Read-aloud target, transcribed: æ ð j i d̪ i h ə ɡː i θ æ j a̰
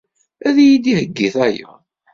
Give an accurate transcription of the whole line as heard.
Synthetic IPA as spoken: æ ð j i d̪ i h ə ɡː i θ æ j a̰